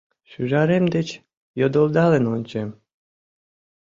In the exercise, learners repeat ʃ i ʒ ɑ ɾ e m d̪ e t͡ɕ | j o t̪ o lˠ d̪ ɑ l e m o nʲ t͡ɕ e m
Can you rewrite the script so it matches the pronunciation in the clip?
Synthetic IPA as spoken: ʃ y ʒ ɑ ɾ e m d̪ e t͡ɕ | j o d̪ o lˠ d̪ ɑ l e n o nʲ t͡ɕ e m